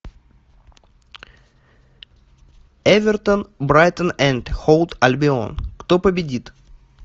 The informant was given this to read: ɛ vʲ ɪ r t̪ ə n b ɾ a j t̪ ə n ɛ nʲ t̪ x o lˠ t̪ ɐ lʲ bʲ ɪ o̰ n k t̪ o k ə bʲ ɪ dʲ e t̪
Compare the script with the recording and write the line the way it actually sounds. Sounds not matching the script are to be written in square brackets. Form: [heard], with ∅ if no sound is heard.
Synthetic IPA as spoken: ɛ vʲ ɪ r t̪ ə n b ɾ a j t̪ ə n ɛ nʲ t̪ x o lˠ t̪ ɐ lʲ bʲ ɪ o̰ n k t̪ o [p] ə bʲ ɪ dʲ [i] t̪